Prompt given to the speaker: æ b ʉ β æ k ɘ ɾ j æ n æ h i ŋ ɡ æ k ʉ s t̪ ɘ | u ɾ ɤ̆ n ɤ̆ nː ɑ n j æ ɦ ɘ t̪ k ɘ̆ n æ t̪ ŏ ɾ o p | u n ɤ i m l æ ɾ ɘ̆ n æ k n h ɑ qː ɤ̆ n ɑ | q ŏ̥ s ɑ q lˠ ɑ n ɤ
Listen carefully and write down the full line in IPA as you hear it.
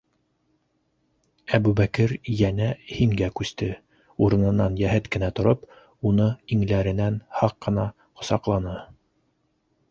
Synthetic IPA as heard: æ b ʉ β æ k ɘ ɾ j æ n æ h i ŋ ɡ æ k ʉ s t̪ ɘ | u ɾ ɤ̆ n ɤ̆ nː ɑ n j æ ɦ ɘ t̪ k ɘ̆ n æ t̪ ŏ ɾ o p | u n ɤ i ŋ l æ ɾ ɘ̆ n æ n h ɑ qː ɤ̆ n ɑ | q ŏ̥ s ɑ q lˠ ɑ n ɤ